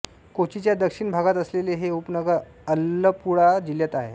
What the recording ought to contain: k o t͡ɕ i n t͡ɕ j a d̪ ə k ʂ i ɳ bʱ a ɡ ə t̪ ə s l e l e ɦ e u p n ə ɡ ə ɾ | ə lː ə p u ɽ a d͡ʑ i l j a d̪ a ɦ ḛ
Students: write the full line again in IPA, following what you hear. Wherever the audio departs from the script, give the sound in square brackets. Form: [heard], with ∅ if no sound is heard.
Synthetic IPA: k o t͡ɕ i [∅] t͡ɕ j a d̪ ə k ʂ i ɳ bʱ a ɡ [a] t̪ ə s l e l e ɦ e u p n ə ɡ ə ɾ | ə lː ə p u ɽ a d͡ʑ i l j a [t̪] a ɦ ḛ